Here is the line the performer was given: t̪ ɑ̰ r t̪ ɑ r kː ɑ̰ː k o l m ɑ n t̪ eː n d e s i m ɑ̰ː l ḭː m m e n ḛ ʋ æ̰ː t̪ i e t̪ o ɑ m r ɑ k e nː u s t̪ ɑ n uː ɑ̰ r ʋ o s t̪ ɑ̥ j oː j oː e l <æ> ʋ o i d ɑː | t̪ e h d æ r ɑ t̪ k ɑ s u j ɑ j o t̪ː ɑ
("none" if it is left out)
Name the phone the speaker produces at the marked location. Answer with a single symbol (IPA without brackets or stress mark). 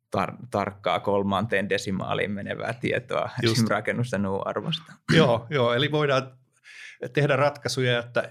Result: i